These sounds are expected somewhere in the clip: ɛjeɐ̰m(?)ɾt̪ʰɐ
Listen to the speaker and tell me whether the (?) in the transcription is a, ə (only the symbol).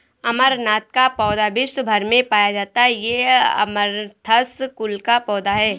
ə